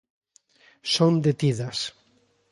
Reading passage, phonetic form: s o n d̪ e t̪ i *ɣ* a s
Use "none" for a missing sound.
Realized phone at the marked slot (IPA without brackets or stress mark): ð